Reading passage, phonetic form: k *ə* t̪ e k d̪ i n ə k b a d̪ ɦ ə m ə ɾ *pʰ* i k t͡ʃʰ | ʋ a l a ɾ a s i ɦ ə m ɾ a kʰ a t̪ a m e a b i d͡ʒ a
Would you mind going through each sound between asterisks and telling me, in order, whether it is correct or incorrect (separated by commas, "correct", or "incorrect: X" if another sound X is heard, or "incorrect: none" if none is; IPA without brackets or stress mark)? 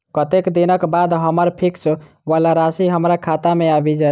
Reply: correct, correct